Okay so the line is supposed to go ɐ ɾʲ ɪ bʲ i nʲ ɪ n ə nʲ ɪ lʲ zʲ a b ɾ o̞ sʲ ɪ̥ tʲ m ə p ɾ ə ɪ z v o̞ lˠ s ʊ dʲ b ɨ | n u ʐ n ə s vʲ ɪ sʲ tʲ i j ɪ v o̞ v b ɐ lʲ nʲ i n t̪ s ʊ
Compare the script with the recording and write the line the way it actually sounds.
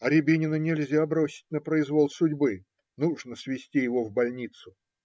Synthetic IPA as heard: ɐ ɾʲ ɪ bʲ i nʲ ɪ n ə nʲ ɪ lʲ zʲ a b ɾ o̞ sʲ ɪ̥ tʲ n ə p ɾ ə ɪ z v o̞ lˠ s ʊ dʲ b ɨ | n u ʐ n ə s vʲ ɪ sʲ tʲ i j ɪ v o̞ v b ɐ lʲ nʲ i t̪ s ʊ